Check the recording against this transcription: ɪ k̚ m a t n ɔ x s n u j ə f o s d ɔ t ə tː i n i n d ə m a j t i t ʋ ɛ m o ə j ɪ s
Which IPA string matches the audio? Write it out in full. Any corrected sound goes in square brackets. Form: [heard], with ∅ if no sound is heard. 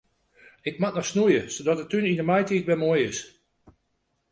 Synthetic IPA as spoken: ɪ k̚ m a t n ɔ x s n u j ə [s] o [∅] d ɔ t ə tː [y] n i n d ə m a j t i t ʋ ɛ m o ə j ɪ s